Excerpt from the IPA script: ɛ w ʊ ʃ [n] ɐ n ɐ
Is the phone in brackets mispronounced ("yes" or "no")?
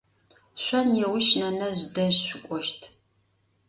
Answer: no